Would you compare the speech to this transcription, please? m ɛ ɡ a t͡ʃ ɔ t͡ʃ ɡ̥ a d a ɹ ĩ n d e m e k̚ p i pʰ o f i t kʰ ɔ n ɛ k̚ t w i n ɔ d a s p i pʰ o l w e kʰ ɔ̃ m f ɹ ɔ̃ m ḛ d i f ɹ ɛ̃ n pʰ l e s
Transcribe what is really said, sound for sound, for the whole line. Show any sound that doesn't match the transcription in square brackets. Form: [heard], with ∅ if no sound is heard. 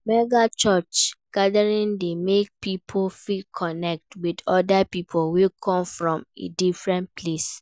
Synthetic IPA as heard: m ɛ ɡ a t͡ʃ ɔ t͡ʃ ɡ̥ a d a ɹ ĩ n d e m e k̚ p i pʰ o f i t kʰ ɔ n ɛ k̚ t w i [d] ɔ d a [∅] p i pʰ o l w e kʰ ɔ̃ m f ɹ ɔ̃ m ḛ d i f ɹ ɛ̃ n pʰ l e s